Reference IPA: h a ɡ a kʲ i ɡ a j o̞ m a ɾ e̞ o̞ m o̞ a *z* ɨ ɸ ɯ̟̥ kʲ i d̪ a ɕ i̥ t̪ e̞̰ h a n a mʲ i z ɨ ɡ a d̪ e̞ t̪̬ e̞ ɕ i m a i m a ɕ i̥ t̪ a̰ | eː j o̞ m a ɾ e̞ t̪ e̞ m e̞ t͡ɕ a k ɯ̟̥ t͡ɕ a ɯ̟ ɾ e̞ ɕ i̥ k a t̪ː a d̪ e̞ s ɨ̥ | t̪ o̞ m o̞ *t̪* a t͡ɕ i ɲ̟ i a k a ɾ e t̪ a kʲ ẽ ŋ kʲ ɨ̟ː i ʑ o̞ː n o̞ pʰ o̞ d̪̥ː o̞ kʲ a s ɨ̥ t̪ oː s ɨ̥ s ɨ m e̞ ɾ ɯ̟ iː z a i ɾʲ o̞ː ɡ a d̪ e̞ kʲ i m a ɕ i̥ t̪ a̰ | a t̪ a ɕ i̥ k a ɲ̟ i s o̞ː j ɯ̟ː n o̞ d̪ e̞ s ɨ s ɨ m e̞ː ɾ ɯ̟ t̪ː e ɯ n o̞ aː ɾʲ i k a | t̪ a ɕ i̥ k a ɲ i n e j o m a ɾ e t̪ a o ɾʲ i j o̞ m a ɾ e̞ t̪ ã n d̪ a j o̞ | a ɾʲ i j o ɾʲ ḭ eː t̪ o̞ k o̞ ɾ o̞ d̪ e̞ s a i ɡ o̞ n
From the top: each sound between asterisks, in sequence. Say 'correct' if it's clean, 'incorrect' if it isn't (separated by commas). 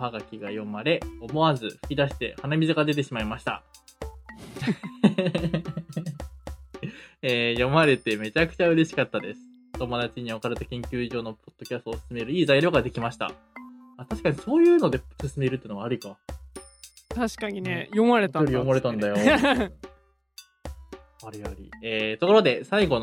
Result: correct, incorrect